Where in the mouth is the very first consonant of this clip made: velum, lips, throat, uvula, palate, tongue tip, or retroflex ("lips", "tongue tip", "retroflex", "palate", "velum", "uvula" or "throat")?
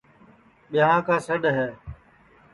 lips